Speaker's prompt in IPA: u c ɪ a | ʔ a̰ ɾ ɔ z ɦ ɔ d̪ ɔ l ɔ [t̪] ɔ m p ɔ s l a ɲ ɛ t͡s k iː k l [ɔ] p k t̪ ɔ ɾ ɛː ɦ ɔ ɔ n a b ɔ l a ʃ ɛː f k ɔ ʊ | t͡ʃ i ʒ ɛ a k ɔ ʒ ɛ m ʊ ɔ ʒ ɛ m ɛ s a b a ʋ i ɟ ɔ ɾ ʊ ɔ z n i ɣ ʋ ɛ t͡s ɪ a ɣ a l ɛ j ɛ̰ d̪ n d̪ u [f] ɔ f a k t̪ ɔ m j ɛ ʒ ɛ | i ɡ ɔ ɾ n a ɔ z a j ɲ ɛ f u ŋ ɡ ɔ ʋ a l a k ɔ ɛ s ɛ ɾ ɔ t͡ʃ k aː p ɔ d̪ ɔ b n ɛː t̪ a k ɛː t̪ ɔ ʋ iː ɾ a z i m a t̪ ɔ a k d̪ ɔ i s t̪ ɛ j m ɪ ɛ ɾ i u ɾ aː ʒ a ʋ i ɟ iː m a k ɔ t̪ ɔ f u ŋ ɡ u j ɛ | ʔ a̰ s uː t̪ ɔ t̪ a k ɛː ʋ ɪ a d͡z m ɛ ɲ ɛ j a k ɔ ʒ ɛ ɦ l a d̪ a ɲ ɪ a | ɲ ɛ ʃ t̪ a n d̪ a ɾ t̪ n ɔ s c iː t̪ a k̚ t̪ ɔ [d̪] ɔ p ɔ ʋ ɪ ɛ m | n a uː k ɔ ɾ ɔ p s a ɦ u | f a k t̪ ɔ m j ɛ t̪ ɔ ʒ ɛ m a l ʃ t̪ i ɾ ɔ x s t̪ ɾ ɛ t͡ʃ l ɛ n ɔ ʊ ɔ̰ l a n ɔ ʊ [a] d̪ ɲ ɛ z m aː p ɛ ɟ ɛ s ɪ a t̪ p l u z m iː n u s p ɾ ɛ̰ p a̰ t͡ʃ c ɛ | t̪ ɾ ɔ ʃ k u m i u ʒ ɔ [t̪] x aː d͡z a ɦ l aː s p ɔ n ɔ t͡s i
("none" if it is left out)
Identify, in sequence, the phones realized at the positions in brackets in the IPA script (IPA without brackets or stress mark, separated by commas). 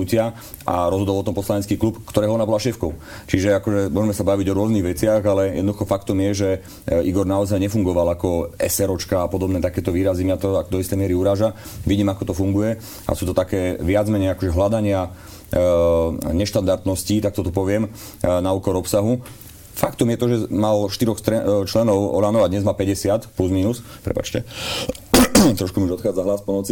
t̪, u, x, t̪, a, t̪